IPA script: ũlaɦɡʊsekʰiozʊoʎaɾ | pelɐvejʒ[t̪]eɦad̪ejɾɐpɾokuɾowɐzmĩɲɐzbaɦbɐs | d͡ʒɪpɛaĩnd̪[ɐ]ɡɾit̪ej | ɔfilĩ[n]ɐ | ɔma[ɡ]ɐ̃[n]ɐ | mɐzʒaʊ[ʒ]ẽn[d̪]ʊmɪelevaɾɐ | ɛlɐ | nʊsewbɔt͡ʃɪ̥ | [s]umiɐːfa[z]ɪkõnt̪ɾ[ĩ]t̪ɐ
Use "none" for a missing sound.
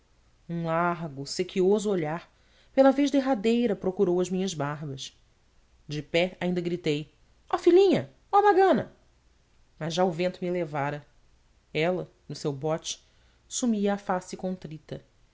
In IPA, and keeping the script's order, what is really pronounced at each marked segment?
d̪, ɐ, ɲ, ɡ, n, v, t̪, s, s, i

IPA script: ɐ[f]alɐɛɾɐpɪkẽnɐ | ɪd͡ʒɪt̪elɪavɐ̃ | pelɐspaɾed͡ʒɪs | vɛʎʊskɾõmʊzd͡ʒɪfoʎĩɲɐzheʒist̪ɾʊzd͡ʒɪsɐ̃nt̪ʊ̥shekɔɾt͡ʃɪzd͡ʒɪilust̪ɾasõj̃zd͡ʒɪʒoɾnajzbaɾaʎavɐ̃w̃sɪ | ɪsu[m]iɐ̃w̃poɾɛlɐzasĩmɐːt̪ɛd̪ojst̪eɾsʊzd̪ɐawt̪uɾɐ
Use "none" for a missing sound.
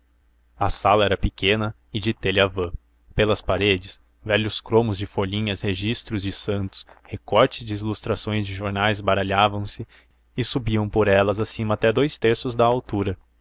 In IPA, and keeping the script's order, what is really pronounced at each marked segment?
s, b

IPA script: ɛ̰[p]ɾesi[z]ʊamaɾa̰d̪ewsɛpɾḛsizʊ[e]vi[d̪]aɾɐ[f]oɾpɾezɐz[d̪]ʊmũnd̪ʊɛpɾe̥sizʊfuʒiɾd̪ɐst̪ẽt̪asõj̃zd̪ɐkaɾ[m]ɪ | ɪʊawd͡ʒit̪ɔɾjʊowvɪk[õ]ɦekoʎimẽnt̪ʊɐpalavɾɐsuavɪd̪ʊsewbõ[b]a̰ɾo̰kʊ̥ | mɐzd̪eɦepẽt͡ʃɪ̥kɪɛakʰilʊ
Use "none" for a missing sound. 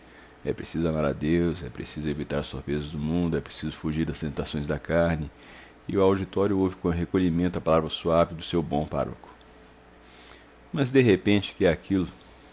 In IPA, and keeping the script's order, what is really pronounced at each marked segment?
p, z, e, t̪, s, d̪, n, õ, p

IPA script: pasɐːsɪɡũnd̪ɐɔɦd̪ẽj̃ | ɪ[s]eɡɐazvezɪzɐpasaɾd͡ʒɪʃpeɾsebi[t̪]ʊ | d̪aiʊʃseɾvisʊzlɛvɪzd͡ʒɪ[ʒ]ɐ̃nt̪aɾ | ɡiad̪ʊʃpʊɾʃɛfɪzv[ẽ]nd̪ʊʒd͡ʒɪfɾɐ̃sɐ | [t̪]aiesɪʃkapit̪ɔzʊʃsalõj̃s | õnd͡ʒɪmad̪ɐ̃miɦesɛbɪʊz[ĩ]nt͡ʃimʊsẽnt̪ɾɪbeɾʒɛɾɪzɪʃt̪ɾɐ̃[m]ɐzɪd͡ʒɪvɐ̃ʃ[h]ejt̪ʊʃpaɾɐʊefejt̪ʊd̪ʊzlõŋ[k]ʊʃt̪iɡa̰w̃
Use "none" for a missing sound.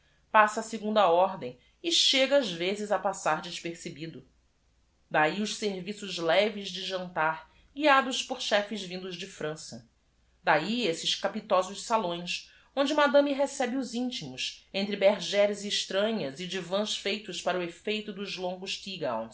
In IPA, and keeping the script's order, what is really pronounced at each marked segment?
ʃ, d̪, ʒ, ĩ, d̪, ĩ, ɲ, f, ɡ

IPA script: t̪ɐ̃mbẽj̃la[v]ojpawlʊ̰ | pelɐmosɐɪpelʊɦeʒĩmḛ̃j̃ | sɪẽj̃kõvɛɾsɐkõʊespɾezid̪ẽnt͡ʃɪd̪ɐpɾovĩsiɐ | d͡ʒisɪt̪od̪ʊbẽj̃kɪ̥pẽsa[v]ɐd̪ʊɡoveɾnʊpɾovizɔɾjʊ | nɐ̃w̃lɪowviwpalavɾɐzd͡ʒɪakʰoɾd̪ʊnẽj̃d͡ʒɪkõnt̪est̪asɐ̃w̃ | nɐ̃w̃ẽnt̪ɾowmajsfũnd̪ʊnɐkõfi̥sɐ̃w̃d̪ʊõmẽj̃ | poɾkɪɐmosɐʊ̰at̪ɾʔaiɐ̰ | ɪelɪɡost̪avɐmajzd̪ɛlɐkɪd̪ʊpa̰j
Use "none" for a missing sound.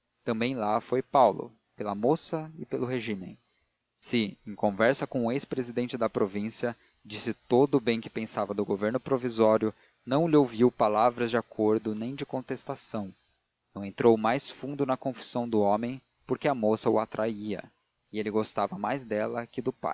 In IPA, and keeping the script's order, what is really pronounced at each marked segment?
f, v

